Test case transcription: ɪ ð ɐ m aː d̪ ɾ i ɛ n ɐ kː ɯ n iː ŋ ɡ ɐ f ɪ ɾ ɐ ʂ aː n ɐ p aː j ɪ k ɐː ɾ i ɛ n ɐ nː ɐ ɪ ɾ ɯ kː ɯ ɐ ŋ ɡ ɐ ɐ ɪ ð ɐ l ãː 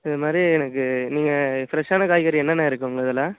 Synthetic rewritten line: ɪ ð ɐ m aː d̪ ɾ i ɛ n ɐ kː ɯ n iː ŋ ɡ ɐ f ɪ ɾ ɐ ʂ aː n ɐ k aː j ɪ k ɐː ɾ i ɛ nː ɐ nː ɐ ɪ ɾ ɯ kː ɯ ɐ ŋ ɡ ɐ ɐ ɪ ð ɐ l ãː